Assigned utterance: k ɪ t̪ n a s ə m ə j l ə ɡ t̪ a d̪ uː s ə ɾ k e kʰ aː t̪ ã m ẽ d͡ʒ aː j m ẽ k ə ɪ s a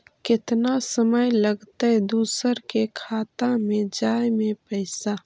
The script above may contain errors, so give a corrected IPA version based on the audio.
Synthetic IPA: k ɪ t̪ n a s ə m ə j l ə ɡ t̪ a d̪ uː s ə ɾ k e kʰ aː t̪ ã m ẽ d͡ʒ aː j m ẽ p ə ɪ s a